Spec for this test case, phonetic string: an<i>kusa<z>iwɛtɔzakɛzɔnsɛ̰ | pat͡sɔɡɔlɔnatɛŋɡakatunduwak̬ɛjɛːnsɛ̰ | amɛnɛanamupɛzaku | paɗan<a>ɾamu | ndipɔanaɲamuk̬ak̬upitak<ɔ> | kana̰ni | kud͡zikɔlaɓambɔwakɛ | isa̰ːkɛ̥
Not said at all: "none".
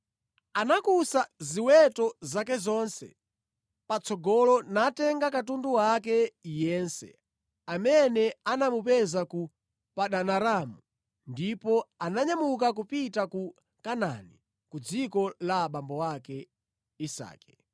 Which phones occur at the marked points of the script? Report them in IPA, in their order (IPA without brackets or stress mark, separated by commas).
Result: a, z, a, u